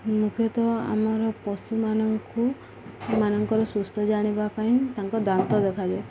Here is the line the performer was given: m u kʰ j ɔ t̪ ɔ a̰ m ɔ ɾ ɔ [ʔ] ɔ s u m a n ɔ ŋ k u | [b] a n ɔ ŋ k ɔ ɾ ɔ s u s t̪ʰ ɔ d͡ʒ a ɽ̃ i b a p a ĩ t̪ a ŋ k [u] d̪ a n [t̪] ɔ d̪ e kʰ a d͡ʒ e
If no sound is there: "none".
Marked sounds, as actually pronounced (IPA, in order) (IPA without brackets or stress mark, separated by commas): p, m, ɔ, t̪